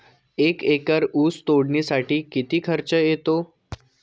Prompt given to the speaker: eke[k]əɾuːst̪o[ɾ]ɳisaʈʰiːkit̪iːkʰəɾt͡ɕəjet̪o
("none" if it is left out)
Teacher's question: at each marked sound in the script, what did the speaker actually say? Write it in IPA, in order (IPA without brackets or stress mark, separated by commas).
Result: k, ɽ